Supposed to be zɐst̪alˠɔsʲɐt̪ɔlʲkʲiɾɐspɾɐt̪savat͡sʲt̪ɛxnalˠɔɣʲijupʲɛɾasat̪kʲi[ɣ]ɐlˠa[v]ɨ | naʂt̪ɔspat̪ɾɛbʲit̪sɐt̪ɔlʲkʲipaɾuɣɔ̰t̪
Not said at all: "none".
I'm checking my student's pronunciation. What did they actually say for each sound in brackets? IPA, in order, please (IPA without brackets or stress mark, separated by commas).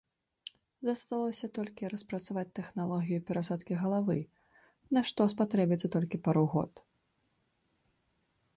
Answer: ɣ, v